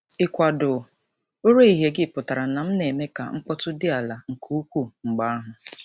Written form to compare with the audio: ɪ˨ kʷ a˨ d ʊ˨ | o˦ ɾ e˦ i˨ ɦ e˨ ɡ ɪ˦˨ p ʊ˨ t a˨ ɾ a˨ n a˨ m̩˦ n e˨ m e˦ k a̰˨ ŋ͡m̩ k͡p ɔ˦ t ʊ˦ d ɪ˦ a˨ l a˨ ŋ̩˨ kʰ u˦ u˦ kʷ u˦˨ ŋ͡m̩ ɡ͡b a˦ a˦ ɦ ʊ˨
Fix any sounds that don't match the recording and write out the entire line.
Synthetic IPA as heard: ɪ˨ kʷ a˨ d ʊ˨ | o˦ ɾ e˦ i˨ ɦ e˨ ɡ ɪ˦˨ p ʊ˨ t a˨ ɾ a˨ n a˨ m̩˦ n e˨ m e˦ k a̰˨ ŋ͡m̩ k͡p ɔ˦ t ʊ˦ d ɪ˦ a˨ l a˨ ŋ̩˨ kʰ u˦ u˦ kʷ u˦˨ ŋ͡m̩ ɡ͡b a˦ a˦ ɦ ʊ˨